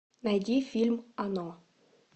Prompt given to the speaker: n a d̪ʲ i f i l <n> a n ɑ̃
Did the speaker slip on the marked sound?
yes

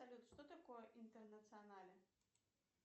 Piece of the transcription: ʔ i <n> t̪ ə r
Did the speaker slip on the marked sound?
no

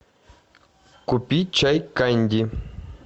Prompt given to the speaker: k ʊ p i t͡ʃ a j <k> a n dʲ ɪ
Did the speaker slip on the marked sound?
no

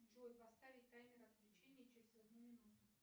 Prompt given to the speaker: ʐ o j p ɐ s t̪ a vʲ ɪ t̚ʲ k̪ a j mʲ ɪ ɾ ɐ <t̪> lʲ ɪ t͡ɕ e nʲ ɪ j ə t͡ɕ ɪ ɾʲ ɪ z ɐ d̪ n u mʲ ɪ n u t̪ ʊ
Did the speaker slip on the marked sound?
no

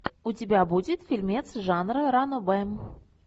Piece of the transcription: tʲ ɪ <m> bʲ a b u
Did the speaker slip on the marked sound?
yes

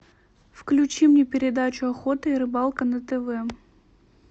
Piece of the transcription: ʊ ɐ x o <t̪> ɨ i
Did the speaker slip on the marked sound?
no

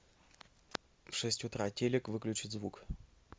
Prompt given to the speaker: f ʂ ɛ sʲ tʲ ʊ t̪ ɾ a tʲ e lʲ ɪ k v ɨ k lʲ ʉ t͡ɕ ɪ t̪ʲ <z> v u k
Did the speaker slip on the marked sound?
no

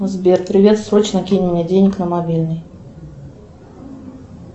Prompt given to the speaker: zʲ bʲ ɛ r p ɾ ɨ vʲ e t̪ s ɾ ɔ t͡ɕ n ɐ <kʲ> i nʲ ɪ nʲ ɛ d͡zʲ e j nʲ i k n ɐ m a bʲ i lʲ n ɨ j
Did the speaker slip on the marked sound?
no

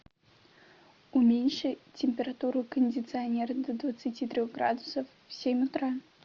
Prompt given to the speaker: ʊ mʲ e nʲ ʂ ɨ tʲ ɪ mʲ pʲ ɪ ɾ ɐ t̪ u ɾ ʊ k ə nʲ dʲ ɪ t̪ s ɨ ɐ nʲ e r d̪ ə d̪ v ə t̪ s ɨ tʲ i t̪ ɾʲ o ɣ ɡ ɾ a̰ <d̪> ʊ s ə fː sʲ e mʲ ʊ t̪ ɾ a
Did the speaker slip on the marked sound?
no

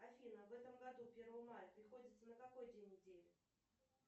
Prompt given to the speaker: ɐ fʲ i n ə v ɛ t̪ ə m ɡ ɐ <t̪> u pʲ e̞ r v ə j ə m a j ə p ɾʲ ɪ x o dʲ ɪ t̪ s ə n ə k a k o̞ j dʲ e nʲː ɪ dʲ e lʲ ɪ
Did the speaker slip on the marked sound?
yes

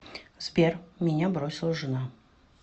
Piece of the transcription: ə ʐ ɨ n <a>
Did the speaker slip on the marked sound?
no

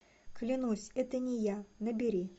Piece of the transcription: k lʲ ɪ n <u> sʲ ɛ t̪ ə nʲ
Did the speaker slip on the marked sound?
no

